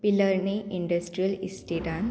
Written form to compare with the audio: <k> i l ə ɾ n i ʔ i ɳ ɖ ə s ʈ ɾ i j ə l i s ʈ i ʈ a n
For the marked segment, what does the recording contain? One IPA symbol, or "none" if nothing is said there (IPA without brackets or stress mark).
p